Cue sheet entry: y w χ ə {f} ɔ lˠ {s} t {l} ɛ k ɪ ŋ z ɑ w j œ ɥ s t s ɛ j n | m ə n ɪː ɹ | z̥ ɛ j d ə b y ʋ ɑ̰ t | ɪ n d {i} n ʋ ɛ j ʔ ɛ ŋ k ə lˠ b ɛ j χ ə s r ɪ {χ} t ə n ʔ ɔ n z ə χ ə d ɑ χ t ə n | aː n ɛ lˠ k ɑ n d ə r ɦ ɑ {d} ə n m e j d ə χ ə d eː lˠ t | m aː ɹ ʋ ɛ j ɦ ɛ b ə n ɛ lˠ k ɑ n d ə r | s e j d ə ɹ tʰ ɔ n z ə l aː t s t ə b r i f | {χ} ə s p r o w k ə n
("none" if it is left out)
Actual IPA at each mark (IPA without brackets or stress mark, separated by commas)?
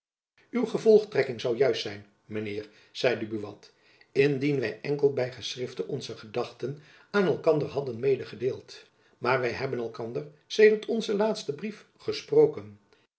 v, χ, r, i, f, d, χ